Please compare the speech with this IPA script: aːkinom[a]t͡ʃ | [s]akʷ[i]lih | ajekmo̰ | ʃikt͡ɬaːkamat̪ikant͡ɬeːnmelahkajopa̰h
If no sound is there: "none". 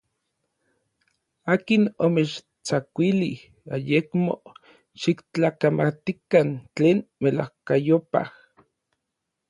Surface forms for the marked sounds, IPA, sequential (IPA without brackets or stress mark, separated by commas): e, t͡s, i